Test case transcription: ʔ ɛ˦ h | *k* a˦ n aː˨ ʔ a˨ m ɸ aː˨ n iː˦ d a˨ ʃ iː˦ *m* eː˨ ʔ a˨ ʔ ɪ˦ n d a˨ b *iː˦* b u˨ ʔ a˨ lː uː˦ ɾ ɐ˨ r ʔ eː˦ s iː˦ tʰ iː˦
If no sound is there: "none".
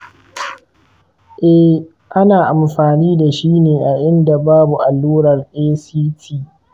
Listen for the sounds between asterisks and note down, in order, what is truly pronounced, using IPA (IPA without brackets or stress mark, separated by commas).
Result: ʔ, n, aː˦